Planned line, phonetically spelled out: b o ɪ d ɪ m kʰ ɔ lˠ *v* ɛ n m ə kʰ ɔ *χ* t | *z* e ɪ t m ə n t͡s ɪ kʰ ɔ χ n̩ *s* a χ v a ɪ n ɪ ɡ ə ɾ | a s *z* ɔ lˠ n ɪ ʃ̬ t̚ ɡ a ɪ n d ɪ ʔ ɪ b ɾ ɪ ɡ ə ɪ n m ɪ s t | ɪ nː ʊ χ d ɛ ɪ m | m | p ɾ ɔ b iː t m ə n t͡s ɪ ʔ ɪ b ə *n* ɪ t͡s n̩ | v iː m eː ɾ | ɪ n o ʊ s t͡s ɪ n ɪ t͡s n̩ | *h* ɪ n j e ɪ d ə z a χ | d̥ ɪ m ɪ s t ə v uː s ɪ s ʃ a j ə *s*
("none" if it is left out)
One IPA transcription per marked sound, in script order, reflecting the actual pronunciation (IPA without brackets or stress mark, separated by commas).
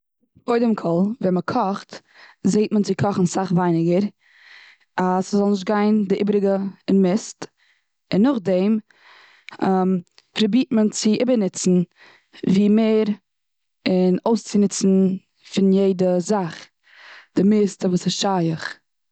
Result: v, χ, z, s, z, n, f, χ